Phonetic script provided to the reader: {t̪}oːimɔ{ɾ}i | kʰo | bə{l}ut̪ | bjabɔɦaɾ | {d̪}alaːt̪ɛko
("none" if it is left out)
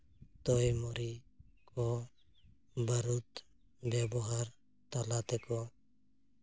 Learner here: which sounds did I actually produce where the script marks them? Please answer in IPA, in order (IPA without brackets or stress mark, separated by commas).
t̪, ɾ, ɾ, t̪